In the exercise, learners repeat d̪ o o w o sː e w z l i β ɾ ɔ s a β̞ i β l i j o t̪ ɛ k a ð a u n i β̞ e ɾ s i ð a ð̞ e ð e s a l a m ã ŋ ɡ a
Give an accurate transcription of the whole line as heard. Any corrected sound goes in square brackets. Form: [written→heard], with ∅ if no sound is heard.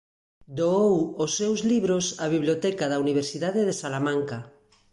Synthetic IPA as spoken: d̪ o o w o sː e w z l i β ɾ [ɔ→o] s a β̞ i β l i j o t̪ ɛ k a ð a u n i β̞ e ɾ s i ð a ð̞ e ð e s a l a m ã ŋ [ɡ→k] a